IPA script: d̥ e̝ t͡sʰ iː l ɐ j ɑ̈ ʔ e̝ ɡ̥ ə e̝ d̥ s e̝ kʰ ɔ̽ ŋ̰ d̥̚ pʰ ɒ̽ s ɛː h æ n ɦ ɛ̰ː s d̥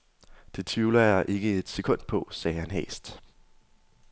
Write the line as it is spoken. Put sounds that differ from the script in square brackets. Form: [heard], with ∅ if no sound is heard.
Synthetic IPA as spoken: d̥ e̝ t͡sʰ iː l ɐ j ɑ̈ ʔ e̝ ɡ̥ ə e̝ d̥ s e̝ kʰ ɔ̽ [n̰] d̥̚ pʰ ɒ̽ s ɛː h æ n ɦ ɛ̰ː s d̥